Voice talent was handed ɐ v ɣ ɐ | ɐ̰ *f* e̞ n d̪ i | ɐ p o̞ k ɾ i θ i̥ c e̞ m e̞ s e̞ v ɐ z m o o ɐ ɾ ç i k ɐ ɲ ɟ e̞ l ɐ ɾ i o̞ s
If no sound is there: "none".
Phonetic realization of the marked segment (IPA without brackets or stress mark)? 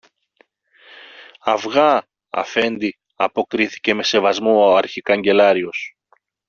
f